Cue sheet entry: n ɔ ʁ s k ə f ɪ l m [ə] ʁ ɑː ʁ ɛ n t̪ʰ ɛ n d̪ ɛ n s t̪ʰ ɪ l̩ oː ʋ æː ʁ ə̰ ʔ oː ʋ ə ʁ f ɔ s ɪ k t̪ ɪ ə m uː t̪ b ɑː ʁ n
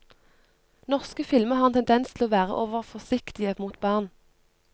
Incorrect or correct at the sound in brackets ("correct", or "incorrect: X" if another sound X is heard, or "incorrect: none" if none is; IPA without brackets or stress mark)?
correct